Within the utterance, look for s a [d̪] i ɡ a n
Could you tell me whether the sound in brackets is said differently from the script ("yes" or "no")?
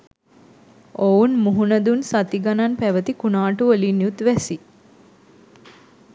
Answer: yes